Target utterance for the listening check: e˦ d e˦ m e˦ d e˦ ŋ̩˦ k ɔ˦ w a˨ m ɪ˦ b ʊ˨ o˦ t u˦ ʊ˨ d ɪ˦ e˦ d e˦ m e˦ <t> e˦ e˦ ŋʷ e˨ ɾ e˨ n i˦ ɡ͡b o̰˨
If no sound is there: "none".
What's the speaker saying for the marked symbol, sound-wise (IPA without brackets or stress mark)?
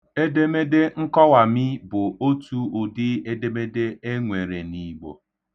d